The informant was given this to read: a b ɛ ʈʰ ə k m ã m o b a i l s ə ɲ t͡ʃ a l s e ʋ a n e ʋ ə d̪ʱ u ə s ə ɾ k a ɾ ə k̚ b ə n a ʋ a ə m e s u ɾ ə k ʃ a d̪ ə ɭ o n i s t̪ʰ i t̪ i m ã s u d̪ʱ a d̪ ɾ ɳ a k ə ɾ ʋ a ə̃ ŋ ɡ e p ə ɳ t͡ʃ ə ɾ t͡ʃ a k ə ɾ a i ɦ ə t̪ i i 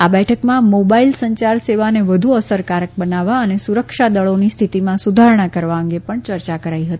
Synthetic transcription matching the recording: a b ɛ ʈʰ ə k m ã m o b a i l s ə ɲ t͡ʃ a ɾ s e ʋ a n e ʋ ə d̪ʱ u ə s ə ɾ k a ɾ ə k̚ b ə n a ʋ a ə n e s u ɾ ə k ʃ a d̪ ə ɭ o n i s t̪ʰ i t̪ i m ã s u d̪ʱ a ɾ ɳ a k ə ɾ ʋ a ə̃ ŋ ɡ e p ə ɳ t͡ʃ ə ɾ t͡ʃ a k ə ɾ a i ɦ ə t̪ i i